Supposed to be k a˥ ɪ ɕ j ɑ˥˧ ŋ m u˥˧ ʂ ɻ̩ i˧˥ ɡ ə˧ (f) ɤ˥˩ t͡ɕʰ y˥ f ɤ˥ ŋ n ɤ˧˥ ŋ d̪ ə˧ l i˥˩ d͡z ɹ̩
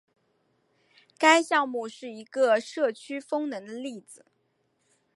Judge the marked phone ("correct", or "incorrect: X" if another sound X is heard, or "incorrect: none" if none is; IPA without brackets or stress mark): incorrect: ʂ